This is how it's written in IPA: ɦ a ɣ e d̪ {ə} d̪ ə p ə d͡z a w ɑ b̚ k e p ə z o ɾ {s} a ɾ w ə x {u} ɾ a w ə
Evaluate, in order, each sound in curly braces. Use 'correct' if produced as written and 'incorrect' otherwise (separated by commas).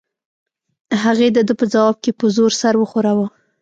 correct, correct, incorrect